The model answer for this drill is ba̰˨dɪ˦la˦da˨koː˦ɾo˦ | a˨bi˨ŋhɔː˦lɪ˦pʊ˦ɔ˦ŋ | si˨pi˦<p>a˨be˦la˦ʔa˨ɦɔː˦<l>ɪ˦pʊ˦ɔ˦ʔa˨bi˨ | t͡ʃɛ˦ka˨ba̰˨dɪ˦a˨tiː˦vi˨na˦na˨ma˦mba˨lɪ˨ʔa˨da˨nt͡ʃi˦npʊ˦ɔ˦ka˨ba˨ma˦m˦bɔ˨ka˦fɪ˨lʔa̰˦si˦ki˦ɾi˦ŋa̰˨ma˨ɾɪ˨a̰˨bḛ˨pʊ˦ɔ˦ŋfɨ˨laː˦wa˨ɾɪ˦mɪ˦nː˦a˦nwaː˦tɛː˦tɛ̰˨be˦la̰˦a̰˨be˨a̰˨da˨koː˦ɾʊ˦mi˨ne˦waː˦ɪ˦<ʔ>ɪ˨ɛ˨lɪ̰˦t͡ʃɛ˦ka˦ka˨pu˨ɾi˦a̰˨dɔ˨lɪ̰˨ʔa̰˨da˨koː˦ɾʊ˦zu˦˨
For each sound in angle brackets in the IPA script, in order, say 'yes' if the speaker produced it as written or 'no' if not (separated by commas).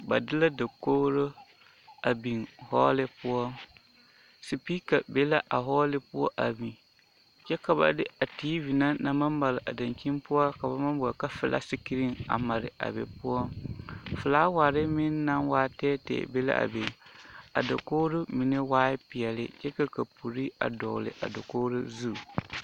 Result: no, yes, no